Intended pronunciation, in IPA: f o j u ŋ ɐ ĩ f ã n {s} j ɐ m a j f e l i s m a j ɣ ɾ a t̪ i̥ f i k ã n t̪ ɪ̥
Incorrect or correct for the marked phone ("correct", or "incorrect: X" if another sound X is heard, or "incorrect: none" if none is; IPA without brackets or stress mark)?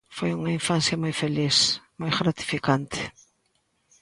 correct